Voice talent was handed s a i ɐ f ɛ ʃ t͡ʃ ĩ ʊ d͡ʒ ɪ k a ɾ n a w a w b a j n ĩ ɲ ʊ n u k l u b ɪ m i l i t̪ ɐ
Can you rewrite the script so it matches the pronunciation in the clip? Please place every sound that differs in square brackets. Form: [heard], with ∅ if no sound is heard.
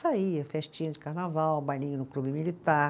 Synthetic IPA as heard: s a i ɐ f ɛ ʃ t͡ʃ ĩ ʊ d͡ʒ ɪ k a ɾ n a [v] a w b a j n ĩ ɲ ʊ n [ʊ] k l u b ɪ m i l i t̪ [a]